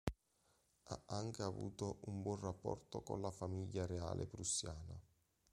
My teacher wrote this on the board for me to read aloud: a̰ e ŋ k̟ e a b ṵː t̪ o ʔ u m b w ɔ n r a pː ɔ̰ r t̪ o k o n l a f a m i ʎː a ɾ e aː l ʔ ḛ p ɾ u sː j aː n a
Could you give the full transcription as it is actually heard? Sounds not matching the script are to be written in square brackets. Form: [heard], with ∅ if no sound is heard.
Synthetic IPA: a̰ [a] ŋ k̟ e a [v] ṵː t̪ o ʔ u m b w ɔ n r a pː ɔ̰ r t̪ o k o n l a f a m i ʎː a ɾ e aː l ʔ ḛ p ɾ u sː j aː n a

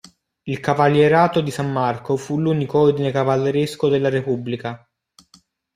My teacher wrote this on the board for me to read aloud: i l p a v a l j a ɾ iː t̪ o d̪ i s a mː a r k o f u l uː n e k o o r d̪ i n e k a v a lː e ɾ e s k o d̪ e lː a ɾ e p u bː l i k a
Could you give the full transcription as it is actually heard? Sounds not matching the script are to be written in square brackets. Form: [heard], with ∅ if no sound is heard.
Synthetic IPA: i l [k] a v a l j [e] ɾ [aː] t̪ o d̪ i s a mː a r k o f u l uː n [i] k o o r d̪ i n e k a v a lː e ɾ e s k o d̪ e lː a ɾ e p u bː l i k a

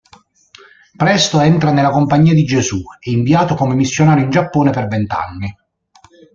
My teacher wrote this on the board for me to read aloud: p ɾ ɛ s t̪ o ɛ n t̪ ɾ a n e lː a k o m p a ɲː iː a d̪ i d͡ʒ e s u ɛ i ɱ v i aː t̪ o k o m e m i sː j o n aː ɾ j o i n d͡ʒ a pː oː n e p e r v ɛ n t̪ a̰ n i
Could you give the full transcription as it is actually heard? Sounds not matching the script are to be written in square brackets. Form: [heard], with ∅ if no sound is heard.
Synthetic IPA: p ɾ ɛ s t̪ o ɛ n t̪ ɾ a n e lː a k o m p a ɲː iː a d̪ i d͡ʒ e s u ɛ i ɱ v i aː t̪ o k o m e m i sː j o n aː ɾ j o i n d͡ʒ a pː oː n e p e r v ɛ n t̪ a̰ [nː] i

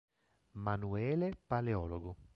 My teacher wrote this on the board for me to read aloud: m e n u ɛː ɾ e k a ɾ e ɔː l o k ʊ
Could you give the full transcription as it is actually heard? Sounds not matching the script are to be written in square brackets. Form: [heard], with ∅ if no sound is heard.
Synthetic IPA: m [a] n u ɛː [l] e [p] a [l] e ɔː l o [ɡ] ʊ

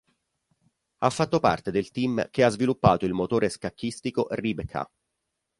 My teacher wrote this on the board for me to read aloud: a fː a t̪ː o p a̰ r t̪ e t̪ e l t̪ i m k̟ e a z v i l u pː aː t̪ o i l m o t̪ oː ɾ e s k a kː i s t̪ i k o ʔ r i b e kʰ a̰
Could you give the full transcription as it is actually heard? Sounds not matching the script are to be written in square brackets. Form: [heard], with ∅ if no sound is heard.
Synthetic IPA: a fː a t̪ː o p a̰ r t̪ e [d̪] e l t̪ i m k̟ e a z v i l u pː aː t̪ o i l m o t̪ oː ɾ e s k a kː i s t̪ i k o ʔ r i b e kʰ a̰

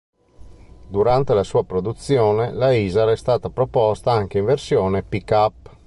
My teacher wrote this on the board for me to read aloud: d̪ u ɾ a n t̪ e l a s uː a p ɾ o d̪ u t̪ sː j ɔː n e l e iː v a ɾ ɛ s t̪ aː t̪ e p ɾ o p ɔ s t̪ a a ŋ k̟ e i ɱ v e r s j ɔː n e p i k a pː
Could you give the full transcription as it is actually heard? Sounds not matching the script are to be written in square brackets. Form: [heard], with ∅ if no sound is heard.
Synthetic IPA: d̪ u ɾ a n t̪ e l a s uː a p ɾ o d̪ u t̪ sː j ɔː n e l [a] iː [z] a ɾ ɛ s t̪ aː t̪ [a] p ɾ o p ɔ s t̪ a a ŋ k̟ e i ɱ v e r s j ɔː n e p i k a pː

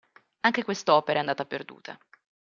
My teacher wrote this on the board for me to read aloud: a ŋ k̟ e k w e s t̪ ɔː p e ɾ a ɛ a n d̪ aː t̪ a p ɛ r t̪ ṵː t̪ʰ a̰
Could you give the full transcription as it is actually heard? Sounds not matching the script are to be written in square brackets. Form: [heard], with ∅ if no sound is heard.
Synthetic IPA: a ŋ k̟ e k w e s t̪ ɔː p e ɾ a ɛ a n d̪ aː t̪ a p [e] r [d̪] ṵː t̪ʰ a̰

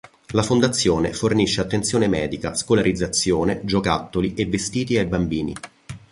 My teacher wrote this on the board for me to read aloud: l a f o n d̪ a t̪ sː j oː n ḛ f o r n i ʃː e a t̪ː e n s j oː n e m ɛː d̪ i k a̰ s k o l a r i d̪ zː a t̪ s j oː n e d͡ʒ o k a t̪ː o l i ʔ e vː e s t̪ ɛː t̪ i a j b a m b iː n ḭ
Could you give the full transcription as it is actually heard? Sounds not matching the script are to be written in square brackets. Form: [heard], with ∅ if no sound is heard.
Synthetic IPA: l a f o n d̪ a t̪ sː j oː n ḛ f o r n i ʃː e a t̪ː e n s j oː n e m ɛː d̪ i k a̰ s k o l a [ɾ] i d̪ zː a t̪ s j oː n e d͡ʒ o k a t̪ː o l i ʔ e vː e s t̪ [iː] t̪ i a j b a m b iː n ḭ

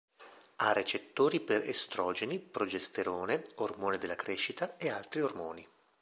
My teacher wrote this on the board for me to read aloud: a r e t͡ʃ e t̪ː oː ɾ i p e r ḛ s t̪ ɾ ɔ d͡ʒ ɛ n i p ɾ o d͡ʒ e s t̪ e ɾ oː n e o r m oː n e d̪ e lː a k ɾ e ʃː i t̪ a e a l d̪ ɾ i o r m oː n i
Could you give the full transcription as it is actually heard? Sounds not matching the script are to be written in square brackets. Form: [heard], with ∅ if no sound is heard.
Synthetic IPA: a r e t͡ʃ e t̪ː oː ɾ i p e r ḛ s t̪ ɾ ɔ d͡ʒ [e] n i p ɾ o d͡ʒ e s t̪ e ɾ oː n e o r m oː n e d̪ e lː a k ɾ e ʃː i t̪ a e a l [t̪] ɾ i o r m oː n i

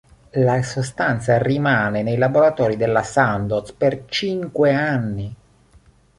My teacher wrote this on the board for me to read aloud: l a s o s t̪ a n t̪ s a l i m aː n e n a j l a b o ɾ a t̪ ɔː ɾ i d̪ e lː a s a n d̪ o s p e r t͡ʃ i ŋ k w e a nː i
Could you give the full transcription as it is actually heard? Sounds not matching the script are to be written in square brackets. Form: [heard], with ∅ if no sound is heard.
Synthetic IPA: l a s o s t̪ a n t̪ s a [r] i m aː n e n [e] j l a b o ɾ a t̪ ɔː ɾ i d̪ e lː a s a n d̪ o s p e r t͡ʃ i ŋ k w e a nː i

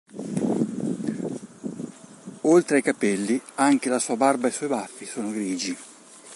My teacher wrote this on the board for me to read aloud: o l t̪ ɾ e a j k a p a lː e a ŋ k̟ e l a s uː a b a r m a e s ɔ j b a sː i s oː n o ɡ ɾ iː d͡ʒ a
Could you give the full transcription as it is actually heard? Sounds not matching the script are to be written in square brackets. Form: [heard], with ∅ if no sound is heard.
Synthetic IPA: o l t̪ ɾ e a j k a p [ɛ] lː [i] a ŋ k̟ e l a s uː a b a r [b] a e s ɔ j b a [fː] i s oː n o ɡ ɾ iː d͡ʒ [i]

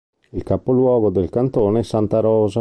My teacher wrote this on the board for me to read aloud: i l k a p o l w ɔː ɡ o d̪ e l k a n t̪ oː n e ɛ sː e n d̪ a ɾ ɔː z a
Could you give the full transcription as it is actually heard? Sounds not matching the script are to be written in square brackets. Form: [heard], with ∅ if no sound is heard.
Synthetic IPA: i l k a p o l w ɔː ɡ o d̪ e l k a n t̪ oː n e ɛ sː [a] n [t̪] a ɾ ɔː z a

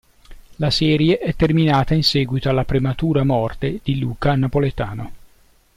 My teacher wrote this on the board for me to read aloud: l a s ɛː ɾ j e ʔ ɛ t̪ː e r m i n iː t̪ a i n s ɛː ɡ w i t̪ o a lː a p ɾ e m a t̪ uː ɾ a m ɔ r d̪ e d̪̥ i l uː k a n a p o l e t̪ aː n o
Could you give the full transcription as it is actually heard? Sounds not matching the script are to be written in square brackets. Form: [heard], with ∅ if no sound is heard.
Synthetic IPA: l a s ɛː ɾ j e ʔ ɛ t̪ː e r m i n [aː] t̪ a i n s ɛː ɡ w i t̪ o a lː a p ɾ e m a t̪ uː ɾ a m ɔ r [t̪] e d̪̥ i l uː k a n a p o l e t̪ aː n o

